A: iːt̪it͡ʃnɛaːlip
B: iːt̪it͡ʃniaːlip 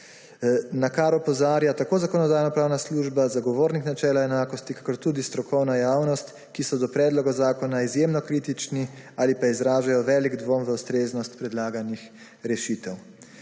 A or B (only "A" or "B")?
B